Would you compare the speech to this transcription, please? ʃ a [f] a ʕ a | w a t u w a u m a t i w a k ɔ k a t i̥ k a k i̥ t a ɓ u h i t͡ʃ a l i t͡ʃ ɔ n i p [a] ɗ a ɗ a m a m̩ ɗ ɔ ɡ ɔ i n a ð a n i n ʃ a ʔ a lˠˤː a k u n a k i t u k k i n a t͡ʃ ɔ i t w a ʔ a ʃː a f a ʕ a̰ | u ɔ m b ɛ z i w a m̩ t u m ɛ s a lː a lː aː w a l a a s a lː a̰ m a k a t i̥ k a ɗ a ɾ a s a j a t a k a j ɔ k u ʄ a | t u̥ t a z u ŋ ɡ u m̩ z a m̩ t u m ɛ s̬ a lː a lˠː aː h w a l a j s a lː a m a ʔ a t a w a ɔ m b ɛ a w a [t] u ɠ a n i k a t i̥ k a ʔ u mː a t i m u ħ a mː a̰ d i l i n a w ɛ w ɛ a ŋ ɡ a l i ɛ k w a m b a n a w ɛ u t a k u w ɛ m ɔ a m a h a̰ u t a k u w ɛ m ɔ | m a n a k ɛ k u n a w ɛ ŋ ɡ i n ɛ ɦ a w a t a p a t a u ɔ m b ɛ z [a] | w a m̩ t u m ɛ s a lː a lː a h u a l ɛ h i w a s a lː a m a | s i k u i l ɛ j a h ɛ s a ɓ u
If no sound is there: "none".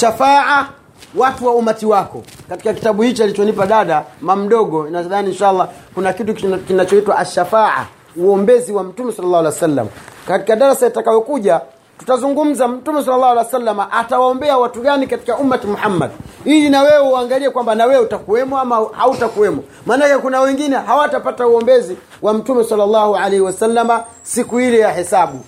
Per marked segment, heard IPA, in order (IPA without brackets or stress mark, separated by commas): f, a, t, i